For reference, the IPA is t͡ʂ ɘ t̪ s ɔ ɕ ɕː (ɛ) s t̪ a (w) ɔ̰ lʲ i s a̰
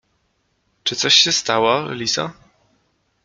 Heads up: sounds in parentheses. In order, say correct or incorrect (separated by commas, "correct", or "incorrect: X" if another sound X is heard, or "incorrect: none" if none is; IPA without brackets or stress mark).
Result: correct, correct